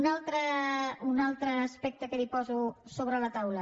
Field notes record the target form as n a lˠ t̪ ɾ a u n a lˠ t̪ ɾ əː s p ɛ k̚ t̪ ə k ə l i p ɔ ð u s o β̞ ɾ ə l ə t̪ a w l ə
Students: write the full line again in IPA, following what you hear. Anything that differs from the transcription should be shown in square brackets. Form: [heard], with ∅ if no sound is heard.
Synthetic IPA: n a lˠ t̪ ɾ [ə] u n a lˠ t̪ ɾ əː s p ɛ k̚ t̪ ə k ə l i p ɔ [z] u s o β̞ ɾ ə l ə t̪ a w l ə